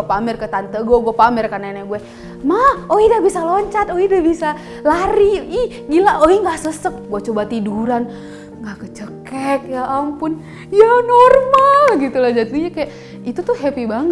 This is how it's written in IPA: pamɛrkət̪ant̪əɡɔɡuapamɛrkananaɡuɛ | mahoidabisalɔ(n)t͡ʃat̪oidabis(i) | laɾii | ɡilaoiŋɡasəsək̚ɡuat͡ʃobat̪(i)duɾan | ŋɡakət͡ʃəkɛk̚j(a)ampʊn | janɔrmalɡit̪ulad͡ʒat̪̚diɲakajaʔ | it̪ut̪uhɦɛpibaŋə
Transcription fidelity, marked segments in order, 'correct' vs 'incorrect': incorrect: ɲ, incorrect: a, correct, correct

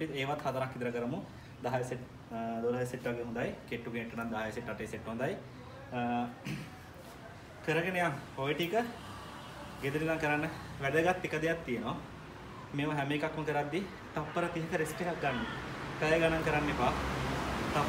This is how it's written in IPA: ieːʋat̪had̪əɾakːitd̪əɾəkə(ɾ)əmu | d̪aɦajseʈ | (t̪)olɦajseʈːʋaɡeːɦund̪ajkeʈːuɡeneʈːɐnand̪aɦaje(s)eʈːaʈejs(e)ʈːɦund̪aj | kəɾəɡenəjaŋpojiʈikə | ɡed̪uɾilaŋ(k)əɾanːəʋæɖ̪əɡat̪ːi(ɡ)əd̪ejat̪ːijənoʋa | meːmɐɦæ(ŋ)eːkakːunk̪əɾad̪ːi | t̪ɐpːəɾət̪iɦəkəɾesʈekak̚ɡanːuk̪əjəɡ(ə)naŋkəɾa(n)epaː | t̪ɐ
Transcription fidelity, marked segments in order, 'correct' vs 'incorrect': correct, incorrect: d̪, correct, correct, correct, incorrect: k, incorrect: m, incorrect: a, incorrect: nː

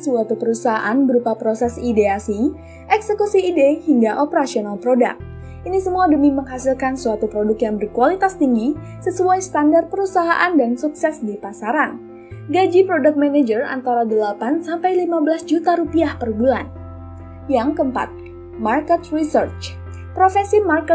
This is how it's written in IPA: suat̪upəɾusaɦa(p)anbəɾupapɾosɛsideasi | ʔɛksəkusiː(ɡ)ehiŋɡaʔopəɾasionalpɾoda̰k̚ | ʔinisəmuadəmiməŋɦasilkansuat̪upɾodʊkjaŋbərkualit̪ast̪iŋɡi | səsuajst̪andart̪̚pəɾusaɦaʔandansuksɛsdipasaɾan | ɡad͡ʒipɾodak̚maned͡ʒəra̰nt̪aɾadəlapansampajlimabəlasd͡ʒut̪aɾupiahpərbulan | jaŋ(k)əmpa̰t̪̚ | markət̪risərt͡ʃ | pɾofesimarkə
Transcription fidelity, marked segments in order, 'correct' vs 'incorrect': incorrect: ʔ, incorrect: d, correct

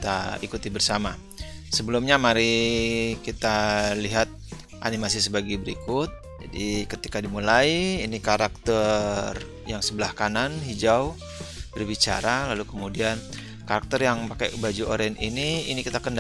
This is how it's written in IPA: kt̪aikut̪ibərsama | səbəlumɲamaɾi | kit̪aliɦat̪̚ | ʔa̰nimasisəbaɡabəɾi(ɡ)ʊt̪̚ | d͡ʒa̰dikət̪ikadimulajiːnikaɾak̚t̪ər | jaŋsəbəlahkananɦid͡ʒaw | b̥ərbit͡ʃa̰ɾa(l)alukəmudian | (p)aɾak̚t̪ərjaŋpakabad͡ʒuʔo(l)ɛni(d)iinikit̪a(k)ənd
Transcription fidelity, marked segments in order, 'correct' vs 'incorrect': incorrect: k, correct, incorrect: k, incorrect: ɾ, incorrect: n, correct

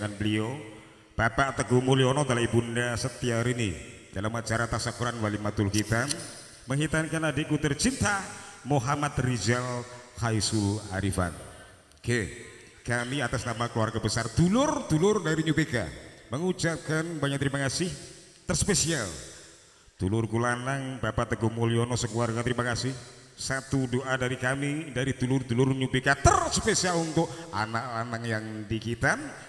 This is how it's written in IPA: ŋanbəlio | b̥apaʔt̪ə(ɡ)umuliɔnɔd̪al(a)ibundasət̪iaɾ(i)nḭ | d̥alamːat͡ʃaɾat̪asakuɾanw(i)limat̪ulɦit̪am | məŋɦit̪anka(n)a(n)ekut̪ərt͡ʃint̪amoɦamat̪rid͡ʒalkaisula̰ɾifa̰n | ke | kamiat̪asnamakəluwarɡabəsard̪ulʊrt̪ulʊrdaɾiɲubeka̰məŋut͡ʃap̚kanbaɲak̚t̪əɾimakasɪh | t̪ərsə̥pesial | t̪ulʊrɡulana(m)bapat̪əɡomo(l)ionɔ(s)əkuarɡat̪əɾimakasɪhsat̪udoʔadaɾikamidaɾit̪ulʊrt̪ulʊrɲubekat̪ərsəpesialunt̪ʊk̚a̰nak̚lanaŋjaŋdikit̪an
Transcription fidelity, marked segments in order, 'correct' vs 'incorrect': correct, correct, correct, incorrect: a, correct, incorrect: d, incorrect: ŋ, correct, correct

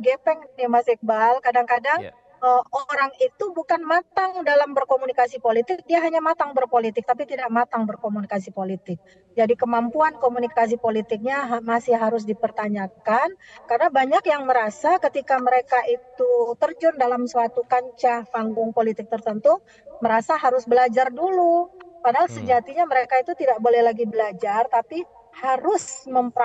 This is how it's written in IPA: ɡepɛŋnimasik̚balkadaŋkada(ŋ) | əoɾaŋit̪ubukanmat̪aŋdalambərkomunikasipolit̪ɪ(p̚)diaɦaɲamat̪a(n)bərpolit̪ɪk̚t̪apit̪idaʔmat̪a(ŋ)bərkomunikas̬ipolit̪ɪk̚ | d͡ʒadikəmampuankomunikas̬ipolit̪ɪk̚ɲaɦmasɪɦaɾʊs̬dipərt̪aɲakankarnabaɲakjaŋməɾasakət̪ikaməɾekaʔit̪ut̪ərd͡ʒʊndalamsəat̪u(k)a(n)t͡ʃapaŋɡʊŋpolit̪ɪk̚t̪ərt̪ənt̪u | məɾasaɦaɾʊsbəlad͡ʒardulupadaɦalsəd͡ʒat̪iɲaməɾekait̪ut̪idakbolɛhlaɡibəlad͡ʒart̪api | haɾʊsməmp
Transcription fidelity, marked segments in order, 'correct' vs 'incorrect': correct, incorrect: k̚, incorrect: ŋ, correct, correct, incorrect: ɲ

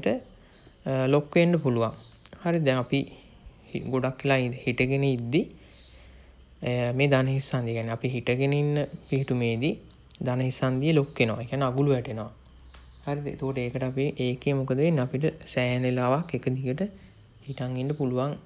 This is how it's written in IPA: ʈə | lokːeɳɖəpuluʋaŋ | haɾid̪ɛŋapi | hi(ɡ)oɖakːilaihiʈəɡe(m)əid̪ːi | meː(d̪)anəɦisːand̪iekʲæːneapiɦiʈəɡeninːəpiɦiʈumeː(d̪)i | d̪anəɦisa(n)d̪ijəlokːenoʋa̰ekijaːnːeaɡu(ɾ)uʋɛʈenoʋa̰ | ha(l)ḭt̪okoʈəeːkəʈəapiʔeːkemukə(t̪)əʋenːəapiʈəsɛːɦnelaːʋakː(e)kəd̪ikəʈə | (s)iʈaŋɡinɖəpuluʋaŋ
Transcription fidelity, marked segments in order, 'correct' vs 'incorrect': correct, incorrect: n, correct, correct, correct, incorrect: l, incorrect: ɾ, incorrect: d̪, correct, incorrect: h

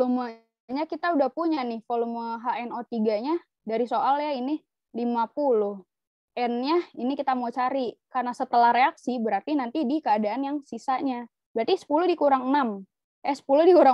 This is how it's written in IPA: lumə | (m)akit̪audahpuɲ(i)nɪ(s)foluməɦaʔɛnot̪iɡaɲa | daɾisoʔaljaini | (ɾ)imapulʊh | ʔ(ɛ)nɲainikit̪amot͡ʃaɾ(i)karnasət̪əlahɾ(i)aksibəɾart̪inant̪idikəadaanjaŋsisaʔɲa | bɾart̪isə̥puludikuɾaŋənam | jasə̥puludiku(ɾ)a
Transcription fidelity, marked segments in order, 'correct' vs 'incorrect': incorrect: ɲ, incorrect: a, incorrect: h, incorrect: l, correct, correct, incorrect: e, correct

